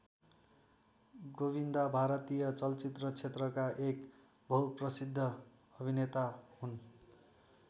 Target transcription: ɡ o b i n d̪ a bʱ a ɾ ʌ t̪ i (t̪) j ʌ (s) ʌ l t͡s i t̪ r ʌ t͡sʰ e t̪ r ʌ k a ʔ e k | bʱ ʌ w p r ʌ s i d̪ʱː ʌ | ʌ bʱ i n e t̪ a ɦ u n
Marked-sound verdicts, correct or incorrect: incorrect: none, incorrect: t͡s

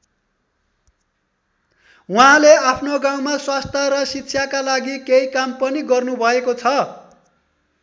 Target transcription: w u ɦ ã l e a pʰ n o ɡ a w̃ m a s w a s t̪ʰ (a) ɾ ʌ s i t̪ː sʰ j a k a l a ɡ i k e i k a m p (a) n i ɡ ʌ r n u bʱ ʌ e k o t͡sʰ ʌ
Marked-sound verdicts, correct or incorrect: incorrect: ʌ, incorrect: ʌ

